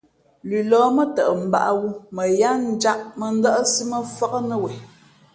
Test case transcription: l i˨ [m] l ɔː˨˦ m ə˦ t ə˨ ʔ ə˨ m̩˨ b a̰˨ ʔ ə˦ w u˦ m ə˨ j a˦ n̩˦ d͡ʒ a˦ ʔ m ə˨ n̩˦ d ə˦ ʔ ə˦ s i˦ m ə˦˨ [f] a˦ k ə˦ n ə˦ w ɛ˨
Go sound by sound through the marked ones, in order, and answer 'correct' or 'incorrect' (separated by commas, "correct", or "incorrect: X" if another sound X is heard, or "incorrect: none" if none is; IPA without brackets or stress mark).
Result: incorrect: none, correct